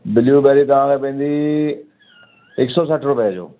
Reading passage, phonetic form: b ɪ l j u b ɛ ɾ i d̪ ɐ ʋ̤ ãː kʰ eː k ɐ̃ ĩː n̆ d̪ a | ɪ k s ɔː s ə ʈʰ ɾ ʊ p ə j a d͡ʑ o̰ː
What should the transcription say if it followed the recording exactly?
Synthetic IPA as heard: b ɪ l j u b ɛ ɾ i t̪ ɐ ʋ̤ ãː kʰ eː p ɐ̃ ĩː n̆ d̪ i | ɪ k s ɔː s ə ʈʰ ɾ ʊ p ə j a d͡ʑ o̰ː